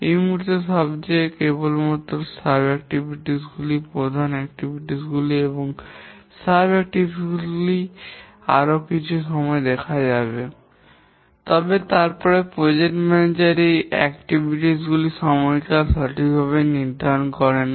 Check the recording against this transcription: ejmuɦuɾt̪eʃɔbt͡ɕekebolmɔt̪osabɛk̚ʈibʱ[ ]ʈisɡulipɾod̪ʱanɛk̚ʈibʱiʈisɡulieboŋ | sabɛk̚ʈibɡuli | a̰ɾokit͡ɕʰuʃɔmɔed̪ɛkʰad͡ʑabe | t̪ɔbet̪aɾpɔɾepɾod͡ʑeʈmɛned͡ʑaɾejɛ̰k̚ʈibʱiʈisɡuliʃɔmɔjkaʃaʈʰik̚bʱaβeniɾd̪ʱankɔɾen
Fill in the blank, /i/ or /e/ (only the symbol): i